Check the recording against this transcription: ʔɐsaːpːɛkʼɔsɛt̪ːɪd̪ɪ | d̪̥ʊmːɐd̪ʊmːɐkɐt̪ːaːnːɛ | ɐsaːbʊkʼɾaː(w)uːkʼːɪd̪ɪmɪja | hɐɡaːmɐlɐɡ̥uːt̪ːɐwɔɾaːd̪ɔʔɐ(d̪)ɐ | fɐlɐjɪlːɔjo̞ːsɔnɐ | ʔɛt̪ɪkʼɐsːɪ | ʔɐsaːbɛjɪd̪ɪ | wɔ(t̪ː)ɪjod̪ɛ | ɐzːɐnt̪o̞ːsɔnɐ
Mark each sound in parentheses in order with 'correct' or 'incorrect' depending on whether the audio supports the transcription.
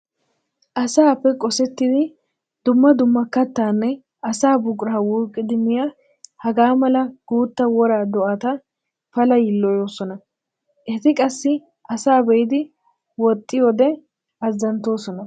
correct, incorrect, incorrect

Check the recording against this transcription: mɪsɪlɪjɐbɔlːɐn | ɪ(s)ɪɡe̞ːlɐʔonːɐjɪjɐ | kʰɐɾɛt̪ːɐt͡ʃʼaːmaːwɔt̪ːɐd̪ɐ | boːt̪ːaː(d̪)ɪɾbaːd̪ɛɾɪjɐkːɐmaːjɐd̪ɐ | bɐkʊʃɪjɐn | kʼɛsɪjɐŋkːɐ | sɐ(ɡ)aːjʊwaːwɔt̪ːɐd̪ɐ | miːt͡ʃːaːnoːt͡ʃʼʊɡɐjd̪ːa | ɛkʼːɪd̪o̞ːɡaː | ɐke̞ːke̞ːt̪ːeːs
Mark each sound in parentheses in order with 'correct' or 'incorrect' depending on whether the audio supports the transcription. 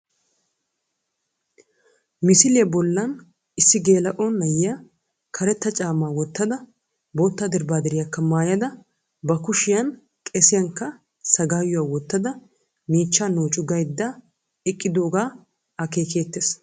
incorrect, correct, correct

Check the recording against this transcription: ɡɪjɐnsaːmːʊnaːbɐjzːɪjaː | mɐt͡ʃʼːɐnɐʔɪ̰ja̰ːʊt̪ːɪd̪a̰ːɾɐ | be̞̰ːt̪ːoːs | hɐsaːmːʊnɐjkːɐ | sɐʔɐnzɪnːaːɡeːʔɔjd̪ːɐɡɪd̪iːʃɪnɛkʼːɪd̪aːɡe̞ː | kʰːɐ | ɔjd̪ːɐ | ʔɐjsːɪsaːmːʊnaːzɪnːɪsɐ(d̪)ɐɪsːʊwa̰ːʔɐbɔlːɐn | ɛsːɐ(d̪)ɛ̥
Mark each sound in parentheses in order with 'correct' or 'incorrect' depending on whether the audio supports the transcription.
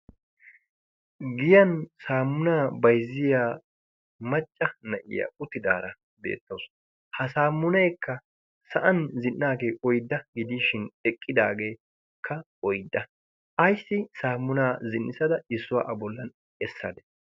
correct, correct

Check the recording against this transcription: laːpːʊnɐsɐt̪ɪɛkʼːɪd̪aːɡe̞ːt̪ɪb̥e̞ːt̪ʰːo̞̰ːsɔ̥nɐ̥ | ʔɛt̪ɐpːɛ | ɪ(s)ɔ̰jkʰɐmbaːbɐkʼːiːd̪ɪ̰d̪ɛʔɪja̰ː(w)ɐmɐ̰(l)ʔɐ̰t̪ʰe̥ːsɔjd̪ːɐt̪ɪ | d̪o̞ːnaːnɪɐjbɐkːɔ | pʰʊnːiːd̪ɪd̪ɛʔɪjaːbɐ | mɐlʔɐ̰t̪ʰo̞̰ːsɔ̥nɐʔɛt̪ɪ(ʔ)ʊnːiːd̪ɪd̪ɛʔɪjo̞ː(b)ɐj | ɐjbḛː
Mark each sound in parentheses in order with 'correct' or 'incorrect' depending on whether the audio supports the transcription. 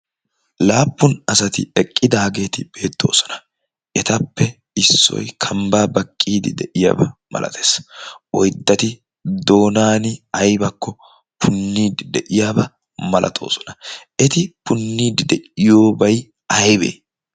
incorrect, incorrect, correct, incorrect, correct

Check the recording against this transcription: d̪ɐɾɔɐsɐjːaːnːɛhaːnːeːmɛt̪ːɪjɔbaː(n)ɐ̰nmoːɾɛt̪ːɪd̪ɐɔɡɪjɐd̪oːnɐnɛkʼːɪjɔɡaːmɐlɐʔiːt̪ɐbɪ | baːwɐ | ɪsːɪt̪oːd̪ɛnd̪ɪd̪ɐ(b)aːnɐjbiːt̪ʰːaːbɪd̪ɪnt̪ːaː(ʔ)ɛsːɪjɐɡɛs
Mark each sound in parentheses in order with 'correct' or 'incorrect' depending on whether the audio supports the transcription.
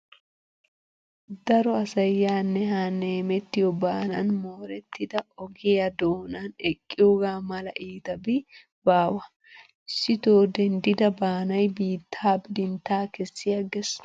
correct, correct, incorrect

